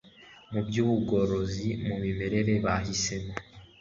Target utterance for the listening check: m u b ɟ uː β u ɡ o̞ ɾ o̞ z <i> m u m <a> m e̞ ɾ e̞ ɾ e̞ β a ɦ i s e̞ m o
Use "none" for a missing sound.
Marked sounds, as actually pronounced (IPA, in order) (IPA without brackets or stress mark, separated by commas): i, i